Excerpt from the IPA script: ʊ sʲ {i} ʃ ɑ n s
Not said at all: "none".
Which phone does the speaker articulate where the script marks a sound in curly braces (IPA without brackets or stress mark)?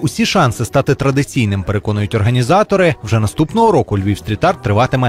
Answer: i